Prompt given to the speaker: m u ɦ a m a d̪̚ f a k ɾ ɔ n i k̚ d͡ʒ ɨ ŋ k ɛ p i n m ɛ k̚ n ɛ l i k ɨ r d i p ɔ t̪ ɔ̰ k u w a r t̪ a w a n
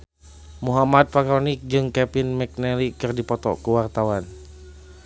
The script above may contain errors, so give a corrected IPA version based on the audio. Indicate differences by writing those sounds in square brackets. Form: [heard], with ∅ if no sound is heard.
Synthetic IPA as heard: m u ɦ a m a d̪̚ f a k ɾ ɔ n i k̚ d͡ʒ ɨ ŋ k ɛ p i n m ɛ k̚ n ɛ l i k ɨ r d i p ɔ t̪ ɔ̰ k u w a r t̪ a w a n